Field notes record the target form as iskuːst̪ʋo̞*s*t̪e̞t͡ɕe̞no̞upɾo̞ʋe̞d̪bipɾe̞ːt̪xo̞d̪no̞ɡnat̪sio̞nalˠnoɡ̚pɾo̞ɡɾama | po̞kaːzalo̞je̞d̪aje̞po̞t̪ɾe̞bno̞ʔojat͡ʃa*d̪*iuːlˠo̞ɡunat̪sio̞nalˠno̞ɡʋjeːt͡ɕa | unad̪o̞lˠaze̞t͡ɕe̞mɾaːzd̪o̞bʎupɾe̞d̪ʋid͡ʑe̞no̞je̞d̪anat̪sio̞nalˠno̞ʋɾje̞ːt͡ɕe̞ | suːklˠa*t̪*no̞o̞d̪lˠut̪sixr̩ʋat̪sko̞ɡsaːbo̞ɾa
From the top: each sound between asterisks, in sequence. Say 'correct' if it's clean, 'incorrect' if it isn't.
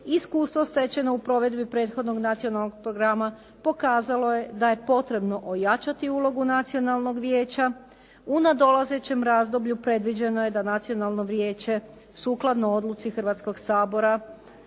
correct, incorrect, incorrect

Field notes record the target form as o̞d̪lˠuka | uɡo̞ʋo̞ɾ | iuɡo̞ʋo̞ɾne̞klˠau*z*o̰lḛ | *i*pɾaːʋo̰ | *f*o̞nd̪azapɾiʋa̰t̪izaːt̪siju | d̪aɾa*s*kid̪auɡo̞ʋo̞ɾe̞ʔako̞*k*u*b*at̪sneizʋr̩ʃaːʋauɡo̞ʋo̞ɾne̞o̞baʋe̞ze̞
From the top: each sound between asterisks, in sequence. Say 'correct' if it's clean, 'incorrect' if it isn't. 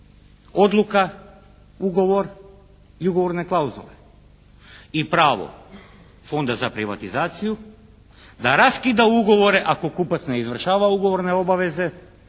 correct, correct, correct, correct, correct, incorrect

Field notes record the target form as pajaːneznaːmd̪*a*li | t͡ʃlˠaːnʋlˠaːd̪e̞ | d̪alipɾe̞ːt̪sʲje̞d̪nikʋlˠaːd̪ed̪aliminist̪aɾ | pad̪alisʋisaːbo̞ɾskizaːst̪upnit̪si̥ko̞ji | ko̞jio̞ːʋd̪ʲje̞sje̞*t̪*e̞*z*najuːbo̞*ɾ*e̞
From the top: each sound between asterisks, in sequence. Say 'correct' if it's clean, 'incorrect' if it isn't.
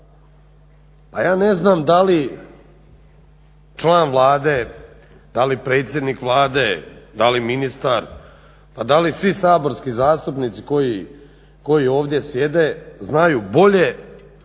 correct, incorrect, correct, incorrect

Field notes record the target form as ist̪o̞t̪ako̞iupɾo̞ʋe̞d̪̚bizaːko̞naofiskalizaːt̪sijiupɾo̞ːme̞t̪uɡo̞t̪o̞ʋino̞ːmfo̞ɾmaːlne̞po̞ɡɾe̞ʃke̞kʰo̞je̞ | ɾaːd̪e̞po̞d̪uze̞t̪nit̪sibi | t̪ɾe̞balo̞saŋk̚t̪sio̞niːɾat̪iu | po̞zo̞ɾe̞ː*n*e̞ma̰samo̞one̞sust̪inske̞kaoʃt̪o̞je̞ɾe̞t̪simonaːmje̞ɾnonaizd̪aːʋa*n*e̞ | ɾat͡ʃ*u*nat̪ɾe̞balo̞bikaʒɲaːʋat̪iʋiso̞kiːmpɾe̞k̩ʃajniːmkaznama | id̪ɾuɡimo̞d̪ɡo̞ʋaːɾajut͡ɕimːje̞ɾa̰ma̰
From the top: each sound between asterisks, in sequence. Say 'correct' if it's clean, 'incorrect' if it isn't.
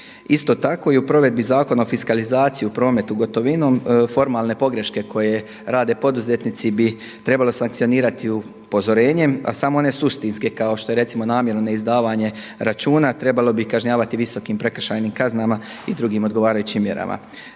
incorrect, incorrect, incorrect

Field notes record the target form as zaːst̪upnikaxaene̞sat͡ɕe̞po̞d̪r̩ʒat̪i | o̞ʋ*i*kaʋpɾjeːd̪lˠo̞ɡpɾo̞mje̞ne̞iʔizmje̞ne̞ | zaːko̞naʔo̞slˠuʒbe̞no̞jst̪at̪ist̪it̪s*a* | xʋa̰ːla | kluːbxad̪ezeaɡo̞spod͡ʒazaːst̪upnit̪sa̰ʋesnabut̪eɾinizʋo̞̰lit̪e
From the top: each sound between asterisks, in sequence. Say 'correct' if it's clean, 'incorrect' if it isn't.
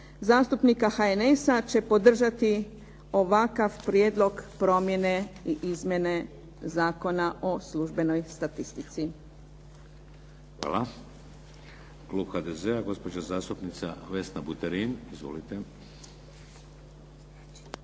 incorrect, incorrect

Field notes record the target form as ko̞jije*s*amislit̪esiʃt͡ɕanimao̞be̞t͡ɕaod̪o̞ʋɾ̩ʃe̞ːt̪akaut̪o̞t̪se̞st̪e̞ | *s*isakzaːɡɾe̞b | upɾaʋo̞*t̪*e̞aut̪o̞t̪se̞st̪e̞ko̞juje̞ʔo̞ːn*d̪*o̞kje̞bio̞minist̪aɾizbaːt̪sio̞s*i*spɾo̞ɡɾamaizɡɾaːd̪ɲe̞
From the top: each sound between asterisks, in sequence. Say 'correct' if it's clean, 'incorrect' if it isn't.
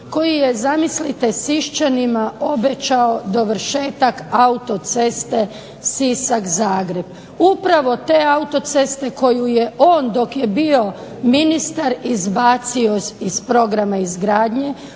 incorrect, correct, correct, correct, correct

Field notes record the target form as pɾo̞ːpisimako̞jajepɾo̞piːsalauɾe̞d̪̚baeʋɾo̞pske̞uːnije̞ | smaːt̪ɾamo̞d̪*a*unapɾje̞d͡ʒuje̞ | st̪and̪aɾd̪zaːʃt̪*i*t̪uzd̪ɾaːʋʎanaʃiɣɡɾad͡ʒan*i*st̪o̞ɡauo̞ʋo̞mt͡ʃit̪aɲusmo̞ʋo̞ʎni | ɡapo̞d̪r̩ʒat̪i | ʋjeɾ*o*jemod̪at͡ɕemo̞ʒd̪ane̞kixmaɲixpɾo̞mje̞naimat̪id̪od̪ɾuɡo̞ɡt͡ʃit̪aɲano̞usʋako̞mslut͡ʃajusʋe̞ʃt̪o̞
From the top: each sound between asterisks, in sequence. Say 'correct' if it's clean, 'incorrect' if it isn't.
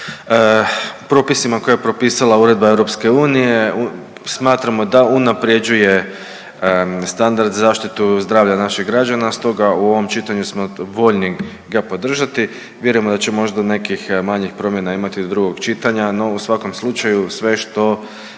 correct, correct, incorrect, incorrect

